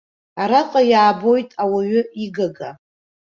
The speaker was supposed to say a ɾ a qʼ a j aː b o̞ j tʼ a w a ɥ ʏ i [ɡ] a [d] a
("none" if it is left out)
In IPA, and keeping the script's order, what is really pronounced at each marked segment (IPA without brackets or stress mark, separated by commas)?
ɡ, ɡ